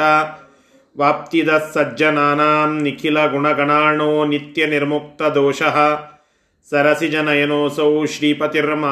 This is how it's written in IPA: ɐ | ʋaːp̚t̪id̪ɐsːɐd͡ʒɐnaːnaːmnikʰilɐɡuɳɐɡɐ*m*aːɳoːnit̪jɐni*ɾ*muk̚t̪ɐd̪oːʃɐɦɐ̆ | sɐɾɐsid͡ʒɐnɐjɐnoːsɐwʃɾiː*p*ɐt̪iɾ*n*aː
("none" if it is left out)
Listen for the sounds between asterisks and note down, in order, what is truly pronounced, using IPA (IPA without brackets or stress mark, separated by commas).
ɳ, ɾ, p, m